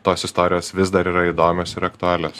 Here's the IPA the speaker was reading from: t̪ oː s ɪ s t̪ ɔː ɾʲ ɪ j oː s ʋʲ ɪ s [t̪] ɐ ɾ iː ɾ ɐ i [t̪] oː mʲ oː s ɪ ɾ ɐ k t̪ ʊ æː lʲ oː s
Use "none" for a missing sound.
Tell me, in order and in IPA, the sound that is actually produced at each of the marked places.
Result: d̪, d̪

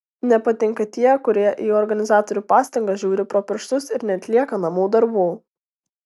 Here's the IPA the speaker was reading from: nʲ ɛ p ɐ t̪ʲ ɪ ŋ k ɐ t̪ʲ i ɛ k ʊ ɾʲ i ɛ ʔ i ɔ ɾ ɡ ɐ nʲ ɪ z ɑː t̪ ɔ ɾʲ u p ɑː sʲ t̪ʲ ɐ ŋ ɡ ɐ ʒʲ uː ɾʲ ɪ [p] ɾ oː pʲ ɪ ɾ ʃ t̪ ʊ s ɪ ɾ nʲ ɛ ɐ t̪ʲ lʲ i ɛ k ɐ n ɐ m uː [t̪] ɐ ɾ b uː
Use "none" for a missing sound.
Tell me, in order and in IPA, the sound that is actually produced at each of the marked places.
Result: p, d̪

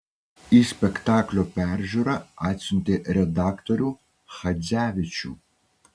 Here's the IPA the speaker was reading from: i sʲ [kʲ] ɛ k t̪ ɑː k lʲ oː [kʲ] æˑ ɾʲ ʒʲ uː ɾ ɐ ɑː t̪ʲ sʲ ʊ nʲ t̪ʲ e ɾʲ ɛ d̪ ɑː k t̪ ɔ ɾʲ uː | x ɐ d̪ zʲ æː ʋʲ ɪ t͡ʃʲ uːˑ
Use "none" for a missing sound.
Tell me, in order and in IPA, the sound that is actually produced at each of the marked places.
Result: pʲ, pʲ

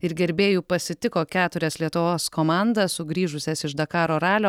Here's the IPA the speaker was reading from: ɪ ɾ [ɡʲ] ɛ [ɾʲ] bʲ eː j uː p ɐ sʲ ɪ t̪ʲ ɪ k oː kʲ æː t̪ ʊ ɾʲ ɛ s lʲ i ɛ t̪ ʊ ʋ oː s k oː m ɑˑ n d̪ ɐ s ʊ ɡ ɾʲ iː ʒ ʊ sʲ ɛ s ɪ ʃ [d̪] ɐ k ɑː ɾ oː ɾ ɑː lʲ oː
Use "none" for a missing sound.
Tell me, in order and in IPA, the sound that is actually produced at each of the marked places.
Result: ɡʲ, ɾʲ, d̪

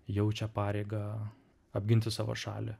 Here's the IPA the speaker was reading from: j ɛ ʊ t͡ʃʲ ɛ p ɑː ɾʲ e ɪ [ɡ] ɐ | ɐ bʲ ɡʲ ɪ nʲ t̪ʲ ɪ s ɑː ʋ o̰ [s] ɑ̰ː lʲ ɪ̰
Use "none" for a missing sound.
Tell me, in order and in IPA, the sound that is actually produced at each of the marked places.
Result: ɡ, ʃ

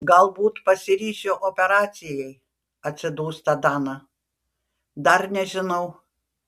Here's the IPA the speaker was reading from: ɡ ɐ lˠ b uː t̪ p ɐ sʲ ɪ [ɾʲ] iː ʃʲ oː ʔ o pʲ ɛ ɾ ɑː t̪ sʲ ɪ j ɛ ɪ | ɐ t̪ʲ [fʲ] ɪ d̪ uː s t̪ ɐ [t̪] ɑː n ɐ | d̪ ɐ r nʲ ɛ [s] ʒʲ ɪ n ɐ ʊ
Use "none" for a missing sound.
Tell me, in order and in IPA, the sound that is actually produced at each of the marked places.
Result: ɾʲ, sʲ, d̪, none

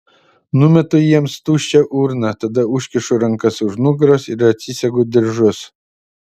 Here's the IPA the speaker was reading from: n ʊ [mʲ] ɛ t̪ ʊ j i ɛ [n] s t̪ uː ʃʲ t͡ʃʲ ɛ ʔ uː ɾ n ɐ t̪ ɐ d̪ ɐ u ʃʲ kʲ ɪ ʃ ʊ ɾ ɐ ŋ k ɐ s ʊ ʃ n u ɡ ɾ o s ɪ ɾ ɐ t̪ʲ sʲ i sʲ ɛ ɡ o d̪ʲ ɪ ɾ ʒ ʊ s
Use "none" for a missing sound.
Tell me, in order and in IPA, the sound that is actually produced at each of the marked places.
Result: mʲ, m

